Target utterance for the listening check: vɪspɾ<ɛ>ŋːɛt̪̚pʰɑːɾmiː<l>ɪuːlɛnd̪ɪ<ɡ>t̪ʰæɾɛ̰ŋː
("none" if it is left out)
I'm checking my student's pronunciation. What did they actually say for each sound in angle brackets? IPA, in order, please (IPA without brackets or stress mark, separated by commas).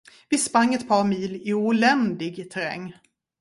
a, l, ɡ